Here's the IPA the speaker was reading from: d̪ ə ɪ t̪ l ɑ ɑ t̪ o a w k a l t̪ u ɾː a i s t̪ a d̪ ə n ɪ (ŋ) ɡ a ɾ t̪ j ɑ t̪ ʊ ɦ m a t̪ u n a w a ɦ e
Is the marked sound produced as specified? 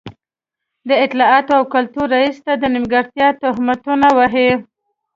no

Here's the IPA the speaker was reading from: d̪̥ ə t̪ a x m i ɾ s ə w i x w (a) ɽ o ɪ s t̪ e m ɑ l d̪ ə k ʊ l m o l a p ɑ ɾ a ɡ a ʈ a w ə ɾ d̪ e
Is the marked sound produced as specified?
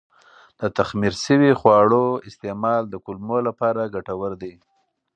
no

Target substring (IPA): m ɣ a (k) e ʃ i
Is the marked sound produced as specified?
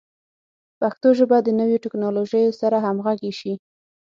no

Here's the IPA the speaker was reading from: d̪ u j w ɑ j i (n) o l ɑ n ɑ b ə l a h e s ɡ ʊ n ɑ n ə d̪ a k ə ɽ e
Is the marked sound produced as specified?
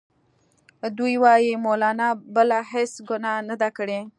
no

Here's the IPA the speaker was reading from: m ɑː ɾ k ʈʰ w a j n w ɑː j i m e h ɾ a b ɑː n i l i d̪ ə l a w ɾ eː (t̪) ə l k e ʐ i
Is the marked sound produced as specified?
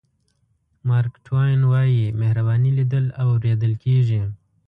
no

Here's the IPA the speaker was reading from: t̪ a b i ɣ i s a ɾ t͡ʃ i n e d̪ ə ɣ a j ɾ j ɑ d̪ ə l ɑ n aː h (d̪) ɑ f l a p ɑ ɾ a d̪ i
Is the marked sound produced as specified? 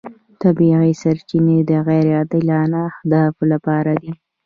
yes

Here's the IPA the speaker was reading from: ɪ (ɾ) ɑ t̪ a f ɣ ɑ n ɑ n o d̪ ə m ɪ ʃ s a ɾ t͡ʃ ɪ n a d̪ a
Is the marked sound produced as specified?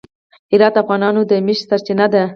yes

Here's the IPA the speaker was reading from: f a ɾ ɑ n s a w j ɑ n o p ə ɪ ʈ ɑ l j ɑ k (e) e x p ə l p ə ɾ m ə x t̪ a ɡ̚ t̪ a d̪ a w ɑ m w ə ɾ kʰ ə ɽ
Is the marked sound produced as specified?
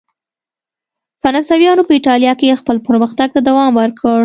yes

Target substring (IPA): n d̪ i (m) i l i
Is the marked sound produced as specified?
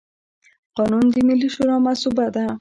yes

